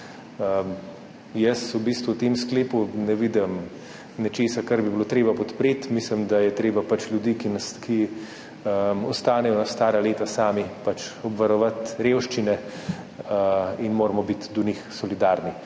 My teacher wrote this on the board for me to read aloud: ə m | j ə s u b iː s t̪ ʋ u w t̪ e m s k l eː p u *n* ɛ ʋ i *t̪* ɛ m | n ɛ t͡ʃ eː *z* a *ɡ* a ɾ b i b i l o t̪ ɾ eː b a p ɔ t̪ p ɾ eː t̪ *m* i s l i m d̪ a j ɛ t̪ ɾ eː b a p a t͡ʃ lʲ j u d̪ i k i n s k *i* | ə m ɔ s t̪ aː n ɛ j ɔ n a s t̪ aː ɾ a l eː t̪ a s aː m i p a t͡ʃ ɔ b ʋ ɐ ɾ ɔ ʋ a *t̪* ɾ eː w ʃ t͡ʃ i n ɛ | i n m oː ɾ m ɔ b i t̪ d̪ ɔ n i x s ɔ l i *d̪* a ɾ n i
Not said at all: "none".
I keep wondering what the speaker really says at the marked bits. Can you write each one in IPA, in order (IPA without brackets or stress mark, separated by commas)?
n, d̪, s, k, m, i, t̪, d̪